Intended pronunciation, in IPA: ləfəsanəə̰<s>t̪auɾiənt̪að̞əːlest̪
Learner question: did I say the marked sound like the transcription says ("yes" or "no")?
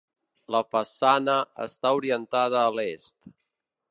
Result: yes